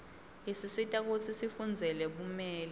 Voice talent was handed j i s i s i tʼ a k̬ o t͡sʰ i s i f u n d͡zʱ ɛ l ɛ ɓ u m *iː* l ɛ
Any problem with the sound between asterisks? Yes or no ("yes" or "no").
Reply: yes